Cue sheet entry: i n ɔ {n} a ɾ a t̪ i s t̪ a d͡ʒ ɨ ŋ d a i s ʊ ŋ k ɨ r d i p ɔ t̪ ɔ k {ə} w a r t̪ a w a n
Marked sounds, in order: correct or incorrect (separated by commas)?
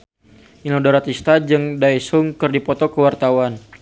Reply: incorrect, correct